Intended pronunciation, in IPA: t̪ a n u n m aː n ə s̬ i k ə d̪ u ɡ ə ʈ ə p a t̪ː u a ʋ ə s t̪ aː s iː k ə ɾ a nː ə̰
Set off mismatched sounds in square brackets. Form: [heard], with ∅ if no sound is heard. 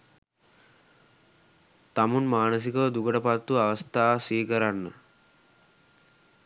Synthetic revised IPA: t̪ a [m] u n m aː n ə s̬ i k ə d̪ u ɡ ə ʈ ə p a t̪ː u a ʋ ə s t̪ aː s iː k ə ɾ a nː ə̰